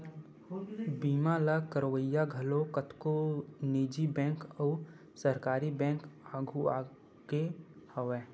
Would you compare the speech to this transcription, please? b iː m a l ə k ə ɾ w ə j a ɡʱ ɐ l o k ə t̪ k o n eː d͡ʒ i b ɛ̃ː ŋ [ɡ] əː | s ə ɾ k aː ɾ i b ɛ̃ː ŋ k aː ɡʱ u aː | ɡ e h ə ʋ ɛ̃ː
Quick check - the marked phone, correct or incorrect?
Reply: incorrect